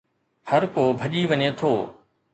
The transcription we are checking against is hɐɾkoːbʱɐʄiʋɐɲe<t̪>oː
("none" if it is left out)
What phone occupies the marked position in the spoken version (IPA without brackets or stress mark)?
t̪ʰ